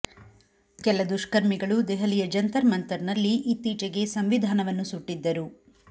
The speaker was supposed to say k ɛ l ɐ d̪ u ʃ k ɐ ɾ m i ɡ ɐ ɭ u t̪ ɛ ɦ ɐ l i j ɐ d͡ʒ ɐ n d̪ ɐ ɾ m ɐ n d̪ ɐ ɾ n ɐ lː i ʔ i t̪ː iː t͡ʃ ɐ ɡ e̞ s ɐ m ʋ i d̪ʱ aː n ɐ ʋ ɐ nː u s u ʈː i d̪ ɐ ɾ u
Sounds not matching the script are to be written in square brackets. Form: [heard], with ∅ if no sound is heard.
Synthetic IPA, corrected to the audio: k ɛ l ɐ d̪ u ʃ k ɐ ɾ m i ɡ ɐ ɭ u [d̪] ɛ ɦ ɐ l i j ɐ d͡ʒ ɐ n [t̪] ɐ ɾ m ɐ n [t̪] ɐ ɾ n ɐ lː i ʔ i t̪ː iː t͡ʃ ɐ ɡ e̞ s ɐ m ʋ i d̪ʱ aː n ɐ ʋ ɐ nː u s u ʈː i [d̪ː] ɐ ɾ u